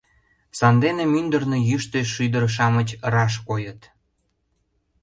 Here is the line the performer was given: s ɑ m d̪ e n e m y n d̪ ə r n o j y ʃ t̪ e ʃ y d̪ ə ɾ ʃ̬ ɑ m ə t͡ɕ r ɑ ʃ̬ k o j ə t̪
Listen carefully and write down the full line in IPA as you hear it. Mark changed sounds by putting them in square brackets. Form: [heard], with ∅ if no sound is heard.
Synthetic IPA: s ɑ [n] d̪ e n e m y n d̪ ə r n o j y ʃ t̪ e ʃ y d̪ ə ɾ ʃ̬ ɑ m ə t͡ɕ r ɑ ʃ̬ k o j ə t̪